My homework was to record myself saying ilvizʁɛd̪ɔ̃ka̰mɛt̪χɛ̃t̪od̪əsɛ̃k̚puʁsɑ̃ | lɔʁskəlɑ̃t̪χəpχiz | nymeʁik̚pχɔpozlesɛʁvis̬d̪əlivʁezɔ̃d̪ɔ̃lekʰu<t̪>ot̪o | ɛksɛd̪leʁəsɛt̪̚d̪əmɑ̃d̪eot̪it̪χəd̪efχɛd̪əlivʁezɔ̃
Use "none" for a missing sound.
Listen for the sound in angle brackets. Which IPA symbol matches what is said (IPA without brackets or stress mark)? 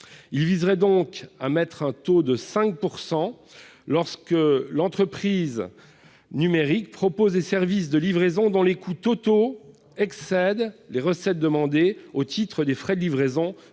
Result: t̪